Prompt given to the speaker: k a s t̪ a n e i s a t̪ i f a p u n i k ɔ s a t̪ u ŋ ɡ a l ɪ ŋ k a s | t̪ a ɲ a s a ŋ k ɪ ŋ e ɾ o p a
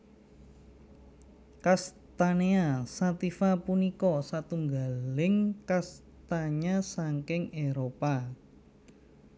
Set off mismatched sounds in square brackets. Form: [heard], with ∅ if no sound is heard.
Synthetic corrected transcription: k a s t̪ a n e [a] s a t̪ i f a p u n i k ɔ s a t̪ u ŋ ɡ a l ɪ ŋ k a s | t̪ a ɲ a s a ŋ k ɪ ŋ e ɾ o p a